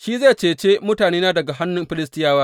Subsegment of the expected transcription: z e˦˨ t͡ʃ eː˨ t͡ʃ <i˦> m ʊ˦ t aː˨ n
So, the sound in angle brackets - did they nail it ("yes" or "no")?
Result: no